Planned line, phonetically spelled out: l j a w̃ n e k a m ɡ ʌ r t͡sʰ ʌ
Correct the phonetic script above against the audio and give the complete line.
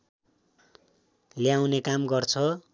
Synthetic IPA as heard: l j a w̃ n e k a m ɡ ʌ r t͡sʰ ʌ